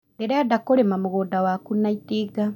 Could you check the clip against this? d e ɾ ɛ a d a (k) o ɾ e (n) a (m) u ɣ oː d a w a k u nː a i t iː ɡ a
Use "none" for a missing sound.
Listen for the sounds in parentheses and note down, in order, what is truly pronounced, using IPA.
k, m, m

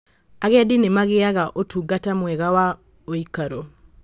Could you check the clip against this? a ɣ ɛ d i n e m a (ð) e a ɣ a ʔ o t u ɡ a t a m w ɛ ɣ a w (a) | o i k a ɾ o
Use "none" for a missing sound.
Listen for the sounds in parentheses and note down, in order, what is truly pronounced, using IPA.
ɣ, a

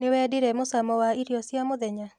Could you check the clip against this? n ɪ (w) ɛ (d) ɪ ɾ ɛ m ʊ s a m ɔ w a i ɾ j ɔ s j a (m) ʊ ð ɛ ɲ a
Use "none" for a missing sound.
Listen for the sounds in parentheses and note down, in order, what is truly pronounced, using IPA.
w, d, m

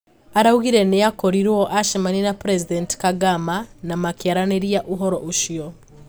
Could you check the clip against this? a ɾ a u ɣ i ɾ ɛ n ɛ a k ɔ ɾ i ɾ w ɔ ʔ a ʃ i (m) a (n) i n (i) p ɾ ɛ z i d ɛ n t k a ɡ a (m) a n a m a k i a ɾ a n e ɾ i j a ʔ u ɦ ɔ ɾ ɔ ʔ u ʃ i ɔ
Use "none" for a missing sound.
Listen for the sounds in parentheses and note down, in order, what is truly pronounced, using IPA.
m, n, a, m

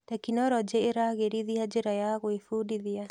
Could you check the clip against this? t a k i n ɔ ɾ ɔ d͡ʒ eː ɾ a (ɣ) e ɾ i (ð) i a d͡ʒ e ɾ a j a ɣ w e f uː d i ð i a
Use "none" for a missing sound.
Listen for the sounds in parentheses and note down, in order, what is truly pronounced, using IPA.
ɣ, ð

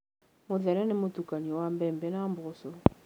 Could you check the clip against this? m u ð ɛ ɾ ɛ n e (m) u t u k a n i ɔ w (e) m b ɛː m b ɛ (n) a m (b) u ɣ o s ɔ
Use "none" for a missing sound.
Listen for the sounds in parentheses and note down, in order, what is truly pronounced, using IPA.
m, a, n, b

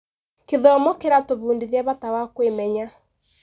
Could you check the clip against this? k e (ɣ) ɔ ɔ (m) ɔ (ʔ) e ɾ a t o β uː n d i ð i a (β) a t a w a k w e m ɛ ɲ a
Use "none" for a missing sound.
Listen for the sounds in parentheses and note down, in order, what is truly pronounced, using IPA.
ð, m, k, β

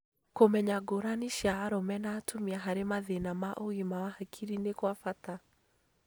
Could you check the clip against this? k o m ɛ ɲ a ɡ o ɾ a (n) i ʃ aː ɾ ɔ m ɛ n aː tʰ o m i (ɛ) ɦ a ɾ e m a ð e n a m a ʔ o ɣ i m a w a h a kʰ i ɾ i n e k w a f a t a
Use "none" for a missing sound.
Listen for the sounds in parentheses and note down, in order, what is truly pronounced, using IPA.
n, a

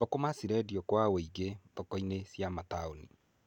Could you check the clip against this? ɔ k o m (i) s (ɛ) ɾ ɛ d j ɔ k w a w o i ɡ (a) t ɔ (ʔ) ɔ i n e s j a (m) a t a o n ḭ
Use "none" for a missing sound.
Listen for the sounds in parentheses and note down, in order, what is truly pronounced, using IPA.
a, i, e, k, m

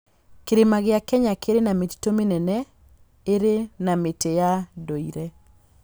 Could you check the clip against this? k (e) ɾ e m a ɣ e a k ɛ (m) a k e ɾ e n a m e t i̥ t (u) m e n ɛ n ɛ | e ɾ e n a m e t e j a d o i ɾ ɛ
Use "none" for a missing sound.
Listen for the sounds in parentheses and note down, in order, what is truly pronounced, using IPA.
e, ɲ, o

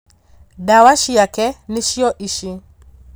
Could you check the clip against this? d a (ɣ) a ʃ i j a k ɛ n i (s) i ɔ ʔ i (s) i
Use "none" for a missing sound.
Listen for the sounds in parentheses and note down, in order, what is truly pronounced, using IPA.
w, ʃ, ʃ

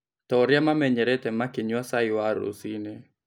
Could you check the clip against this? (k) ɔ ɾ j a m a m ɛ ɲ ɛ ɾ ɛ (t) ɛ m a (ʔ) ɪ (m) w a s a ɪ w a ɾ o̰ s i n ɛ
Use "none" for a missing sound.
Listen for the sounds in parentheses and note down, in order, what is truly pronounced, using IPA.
t, t, k, ɲ

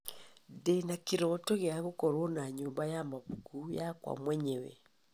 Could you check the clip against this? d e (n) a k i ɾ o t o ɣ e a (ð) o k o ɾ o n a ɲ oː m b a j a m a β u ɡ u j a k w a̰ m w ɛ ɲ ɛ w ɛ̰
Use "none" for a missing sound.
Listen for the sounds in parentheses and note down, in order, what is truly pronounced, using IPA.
n, ɣ

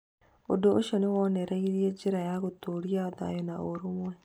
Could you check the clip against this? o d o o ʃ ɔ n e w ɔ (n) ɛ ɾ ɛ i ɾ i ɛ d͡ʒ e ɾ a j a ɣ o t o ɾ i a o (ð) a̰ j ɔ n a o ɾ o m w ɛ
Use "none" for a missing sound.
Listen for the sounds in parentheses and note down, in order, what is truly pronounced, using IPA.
n, ð

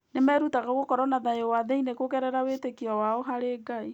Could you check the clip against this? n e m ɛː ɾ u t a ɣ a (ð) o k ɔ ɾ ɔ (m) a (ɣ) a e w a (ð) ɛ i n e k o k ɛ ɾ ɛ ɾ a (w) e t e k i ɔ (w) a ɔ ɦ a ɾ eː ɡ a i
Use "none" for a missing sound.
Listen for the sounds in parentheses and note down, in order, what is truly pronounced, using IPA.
ɣ, n, ð, ð, w, w

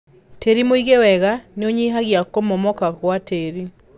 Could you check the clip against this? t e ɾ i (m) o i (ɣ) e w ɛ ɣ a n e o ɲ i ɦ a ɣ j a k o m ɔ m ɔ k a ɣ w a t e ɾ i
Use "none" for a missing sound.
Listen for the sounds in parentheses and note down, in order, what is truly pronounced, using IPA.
m, ɣ

